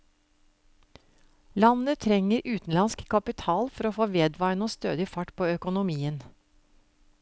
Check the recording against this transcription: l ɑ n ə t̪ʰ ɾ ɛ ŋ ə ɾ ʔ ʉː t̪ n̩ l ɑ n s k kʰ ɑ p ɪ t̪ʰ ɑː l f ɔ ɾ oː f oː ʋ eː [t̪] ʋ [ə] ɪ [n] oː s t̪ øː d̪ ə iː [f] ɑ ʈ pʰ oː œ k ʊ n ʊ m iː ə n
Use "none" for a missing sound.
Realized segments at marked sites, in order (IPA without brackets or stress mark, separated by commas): d̪, ɑ, n, f